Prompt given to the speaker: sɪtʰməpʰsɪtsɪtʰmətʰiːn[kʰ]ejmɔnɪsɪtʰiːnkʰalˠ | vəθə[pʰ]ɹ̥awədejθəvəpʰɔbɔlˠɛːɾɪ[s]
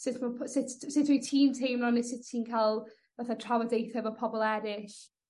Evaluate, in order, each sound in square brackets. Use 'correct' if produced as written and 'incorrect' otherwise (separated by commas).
incorrect, incorrect, incorrect